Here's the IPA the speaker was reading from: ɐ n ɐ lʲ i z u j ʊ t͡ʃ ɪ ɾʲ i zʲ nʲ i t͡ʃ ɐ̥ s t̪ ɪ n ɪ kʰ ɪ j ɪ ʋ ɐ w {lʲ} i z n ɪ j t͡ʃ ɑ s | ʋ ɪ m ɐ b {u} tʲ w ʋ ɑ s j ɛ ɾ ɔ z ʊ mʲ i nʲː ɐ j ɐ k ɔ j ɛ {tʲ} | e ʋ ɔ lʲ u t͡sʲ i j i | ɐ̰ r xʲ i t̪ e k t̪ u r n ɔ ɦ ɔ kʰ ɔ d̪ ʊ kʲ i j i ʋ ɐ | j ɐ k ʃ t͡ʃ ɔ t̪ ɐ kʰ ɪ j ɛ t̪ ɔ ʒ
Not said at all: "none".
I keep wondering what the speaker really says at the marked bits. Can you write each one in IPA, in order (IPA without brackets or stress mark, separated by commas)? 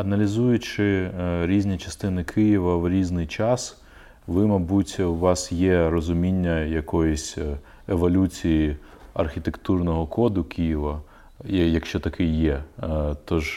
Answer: ɾʲ, u, sʲ